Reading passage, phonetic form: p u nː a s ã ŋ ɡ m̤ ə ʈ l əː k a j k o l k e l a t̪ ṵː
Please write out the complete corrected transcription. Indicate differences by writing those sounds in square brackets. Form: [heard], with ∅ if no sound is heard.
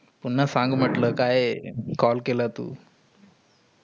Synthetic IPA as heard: p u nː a s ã ŋ ɡ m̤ ə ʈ l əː k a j k [ɔ] l k e l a t̪ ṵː